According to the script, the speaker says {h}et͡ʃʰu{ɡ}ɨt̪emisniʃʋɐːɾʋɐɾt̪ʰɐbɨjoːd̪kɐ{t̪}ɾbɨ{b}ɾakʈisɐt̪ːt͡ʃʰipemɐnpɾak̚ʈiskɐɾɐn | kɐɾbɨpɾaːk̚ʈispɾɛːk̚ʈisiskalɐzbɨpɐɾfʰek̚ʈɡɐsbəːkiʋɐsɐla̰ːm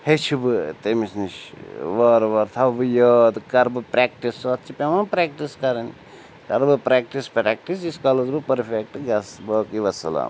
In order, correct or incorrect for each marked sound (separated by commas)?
correct, incorrect, incorrect, incorrect